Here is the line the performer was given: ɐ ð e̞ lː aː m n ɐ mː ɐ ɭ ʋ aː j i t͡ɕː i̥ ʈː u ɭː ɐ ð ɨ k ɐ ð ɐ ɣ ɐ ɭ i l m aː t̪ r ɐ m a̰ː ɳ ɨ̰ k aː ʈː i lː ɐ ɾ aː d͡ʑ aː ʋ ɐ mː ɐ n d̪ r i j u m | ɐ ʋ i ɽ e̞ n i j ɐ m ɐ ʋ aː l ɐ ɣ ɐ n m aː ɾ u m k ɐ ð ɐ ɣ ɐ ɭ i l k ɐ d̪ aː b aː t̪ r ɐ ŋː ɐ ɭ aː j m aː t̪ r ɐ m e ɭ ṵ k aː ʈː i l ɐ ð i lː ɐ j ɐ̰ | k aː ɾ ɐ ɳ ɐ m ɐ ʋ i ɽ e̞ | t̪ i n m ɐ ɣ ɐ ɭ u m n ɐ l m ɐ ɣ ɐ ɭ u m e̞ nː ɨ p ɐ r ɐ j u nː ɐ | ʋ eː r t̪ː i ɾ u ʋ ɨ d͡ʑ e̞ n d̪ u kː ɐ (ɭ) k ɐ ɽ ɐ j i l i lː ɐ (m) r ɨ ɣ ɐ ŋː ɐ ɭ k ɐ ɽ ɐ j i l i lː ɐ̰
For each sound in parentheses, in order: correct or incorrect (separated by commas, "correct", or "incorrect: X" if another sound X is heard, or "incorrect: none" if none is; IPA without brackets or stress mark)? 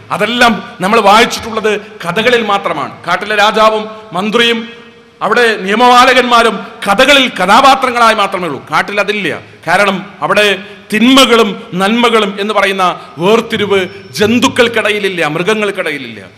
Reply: correct, correct